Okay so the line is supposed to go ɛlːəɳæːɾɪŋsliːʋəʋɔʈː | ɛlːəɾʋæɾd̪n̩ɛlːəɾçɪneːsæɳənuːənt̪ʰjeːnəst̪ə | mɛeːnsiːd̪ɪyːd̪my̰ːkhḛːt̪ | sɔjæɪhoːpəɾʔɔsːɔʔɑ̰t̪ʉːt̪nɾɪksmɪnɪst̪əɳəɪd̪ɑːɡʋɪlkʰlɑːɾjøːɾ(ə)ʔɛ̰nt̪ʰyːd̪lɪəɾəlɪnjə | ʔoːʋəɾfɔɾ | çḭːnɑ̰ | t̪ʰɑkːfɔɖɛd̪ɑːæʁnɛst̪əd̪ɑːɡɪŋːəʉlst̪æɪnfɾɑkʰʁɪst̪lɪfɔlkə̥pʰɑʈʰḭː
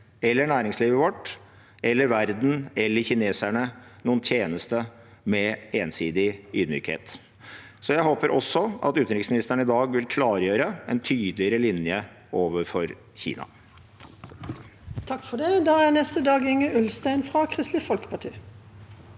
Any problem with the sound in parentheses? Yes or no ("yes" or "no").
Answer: no